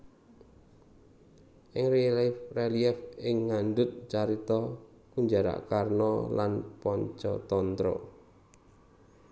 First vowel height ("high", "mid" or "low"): high